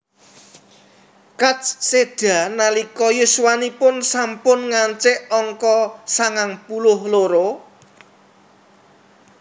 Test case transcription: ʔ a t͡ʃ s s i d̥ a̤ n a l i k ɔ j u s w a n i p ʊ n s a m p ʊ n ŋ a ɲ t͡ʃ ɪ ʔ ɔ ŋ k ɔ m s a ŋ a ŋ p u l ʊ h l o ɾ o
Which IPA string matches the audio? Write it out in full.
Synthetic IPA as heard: k a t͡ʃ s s e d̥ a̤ n a l i k ɔ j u s w a n i p ʊ n s a m p ʊ n ŋ a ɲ t͡ʃ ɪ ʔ ɔ ŋ k ɔ s a ŋ a ŋ p u l ʊ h l o ɾ o